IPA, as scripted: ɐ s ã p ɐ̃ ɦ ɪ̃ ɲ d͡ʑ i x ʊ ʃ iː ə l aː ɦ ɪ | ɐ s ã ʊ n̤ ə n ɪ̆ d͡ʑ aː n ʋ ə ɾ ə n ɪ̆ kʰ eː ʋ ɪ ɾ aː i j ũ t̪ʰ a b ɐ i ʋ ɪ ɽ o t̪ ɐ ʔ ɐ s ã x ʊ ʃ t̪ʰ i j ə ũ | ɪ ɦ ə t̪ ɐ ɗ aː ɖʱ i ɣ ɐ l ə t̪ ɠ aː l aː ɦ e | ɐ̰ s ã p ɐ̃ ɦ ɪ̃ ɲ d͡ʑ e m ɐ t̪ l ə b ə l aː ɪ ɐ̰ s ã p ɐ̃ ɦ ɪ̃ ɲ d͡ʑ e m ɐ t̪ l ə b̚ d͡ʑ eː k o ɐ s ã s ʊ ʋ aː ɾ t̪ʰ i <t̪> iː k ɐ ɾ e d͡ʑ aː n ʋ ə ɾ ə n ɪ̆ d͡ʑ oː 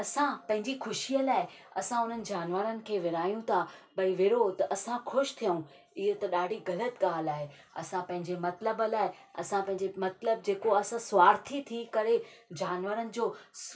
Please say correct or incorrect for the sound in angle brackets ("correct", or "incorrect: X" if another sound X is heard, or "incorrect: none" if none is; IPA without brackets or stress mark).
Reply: incorrect: t̪ʰ